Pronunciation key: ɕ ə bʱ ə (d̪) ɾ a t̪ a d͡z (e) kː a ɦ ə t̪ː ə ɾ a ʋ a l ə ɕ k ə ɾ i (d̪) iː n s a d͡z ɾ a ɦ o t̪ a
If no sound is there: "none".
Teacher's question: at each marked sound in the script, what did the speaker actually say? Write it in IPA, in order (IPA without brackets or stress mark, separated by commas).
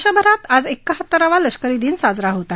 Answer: none, e, d̪